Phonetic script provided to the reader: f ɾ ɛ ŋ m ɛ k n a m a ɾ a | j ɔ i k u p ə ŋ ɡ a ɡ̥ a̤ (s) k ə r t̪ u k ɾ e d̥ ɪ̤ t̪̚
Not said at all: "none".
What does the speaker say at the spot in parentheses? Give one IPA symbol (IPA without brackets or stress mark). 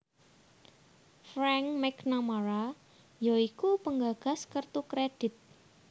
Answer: s